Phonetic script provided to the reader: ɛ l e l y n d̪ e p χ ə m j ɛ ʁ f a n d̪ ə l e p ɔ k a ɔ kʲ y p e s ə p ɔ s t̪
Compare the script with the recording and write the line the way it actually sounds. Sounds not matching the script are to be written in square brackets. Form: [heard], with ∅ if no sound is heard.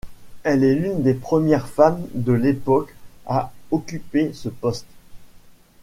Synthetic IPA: ɛ l [ɛ] l y n d̪ e p χ ə m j ɛ ʁ f a [m] d̪ ə l e p ɔ k a ɔ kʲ y p e s ə p ɔ s t̪

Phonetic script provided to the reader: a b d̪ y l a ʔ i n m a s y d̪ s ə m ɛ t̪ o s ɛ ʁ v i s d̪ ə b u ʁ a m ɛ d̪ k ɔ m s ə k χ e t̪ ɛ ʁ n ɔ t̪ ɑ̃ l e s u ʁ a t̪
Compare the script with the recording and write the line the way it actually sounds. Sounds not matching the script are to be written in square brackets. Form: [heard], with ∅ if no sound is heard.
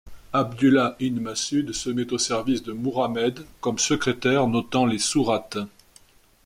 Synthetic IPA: a b d̪ y l a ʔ i n m a s y d̪ s ə m ɛ t̪ o s ɛ ʁ v i s d̪ ə [m] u ʁ a m ɛ d̪ k ɔ m s ə k χ e t̪ ɛ ʁ n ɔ t̪ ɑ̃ l e s u ʁ a t̪

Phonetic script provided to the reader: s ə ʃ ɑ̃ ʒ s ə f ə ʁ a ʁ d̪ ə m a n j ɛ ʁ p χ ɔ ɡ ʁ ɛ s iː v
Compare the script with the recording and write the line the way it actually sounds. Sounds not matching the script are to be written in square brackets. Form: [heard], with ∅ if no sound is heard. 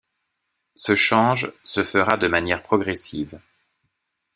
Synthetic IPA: s ə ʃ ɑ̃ ʒ s ə f ə ʁ a [∅] d̪ ə m a n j ɛ ʁ p χ ɔ ɡ ʁ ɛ s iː v

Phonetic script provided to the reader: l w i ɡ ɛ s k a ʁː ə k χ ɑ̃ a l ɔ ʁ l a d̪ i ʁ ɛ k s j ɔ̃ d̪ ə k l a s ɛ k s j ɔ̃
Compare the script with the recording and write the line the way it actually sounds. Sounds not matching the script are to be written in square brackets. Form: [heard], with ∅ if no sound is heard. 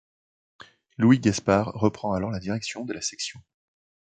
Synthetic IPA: l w i ɡ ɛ s [p] a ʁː ə [p] χ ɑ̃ a l ɔ ʁ l a d̪ i ʁ ɛ k s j ɔ̃ d̪ ə [∅] l a s ɛ k s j ɔ̃

